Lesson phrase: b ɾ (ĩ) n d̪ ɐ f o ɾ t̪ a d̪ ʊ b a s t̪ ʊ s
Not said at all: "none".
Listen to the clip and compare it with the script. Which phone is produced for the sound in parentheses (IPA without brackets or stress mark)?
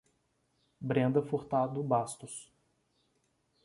ẽ